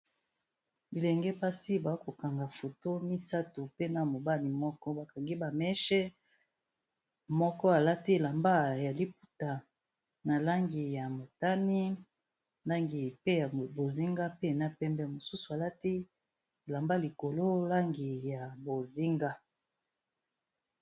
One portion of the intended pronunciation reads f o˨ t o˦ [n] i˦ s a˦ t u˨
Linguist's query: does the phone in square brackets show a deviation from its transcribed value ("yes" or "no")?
yes